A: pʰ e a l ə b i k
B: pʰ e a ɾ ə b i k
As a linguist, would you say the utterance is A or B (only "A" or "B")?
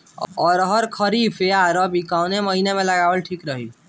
B